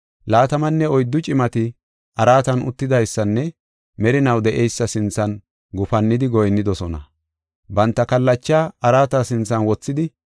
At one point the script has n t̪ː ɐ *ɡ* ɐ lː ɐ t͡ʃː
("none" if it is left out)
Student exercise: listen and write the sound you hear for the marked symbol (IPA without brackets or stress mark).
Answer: k